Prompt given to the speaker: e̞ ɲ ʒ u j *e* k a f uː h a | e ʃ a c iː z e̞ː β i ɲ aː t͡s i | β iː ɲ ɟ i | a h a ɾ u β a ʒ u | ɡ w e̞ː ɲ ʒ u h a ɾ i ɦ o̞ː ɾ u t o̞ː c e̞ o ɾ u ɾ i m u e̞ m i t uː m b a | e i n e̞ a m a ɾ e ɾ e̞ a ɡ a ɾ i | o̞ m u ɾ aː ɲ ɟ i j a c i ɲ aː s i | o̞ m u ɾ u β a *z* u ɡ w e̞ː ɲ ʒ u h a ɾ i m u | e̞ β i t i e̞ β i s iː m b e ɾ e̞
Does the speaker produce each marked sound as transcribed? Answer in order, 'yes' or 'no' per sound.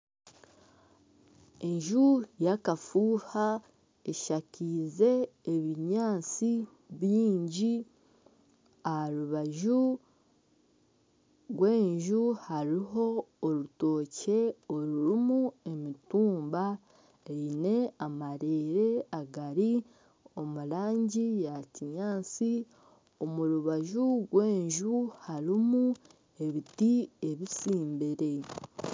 no, no

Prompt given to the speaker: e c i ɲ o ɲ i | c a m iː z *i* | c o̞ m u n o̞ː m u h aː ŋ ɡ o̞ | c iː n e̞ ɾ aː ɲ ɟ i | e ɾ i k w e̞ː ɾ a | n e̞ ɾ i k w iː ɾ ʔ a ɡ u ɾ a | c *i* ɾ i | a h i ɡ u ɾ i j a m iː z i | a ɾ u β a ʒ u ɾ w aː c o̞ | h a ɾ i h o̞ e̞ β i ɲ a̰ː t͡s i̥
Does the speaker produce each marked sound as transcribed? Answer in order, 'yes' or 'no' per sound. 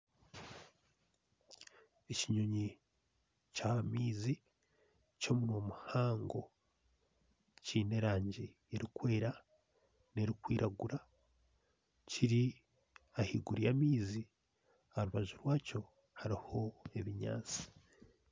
yes, yes

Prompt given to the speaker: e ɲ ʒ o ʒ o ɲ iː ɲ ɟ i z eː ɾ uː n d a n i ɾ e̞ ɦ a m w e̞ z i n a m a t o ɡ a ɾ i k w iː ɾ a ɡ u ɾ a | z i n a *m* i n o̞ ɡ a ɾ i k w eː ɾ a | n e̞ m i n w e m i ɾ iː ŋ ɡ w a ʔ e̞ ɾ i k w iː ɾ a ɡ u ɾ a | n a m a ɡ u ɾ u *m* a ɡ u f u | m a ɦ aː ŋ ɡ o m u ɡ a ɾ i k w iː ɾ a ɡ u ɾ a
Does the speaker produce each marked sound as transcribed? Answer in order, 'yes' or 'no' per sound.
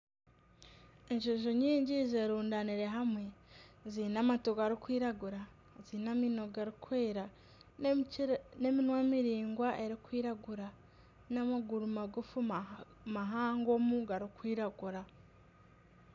yes, yes

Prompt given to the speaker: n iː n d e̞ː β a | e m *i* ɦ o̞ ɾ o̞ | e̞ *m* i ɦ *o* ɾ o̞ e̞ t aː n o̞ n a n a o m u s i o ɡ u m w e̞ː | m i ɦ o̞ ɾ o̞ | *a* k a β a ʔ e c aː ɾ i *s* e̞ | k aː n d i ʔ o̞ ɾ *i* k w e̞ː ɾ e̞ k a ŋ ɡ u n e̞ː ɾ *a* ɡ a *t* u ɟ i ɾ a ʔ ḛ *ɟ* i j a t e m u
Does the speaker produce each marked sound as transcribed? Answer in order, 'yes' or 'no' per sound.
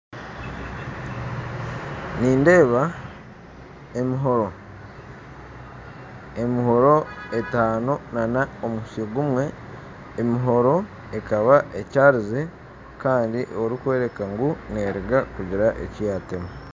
yes, yes, yes, no, no, yes, no, no, no

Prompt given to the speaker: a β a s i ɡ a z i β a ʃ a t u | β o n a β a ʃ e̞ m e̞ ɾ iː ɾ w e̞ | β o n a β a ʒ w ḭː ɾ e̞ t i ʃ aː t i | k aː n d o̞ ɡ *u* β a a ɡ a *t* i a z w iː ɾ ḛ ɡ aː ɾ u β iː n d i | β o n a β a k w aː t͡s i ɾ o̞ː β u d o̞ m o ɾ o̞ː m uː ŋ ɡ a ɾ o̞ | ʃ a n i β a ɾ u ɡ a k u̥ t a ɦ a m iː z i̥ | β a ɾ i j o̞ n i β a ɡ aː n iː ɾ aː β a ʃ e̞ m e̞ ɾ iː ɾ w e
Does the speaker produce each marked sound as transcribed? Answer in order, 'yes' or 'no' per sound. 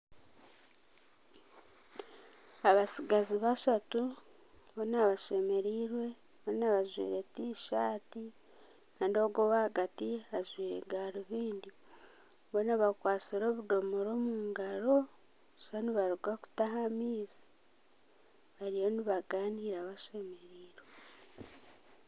no, yes

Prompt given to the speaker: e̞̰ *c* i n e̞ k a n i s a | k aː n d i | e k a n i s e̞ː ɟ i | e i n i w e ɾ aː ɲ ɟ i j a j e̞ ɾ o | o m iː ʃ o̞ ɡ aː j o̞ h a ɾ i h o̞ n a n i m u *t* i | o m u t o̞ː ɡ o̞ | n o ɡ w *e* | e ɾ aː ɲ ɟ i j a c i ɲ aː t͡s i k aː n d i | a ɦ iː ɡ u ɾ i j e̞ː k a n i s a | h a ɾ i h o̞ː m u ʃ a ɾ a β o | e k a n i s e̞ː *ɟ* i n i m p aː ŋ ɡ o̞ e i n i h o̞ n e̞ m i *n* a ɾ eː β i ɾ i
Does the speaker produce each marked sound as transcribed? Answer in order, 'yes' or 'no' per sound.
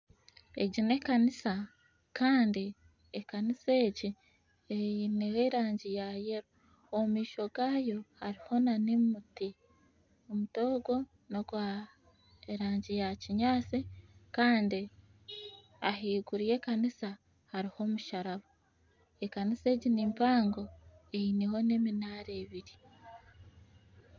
no, yes, no, yes, yes

